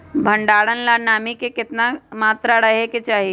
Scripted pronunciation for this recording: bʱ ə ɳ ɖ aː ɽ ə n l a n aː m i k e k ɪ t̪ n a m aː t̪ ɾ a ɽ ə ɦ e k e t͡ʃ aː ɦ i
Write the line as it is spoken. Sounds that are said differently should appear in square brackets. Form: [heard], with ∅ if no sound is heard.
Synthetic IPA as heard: bʱ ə ɳ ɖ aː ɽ ə n l a n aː m i k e k ɪ t̪ n a m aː t̪ ɾ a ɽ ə ɦ e k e t͡ʃ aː ɦ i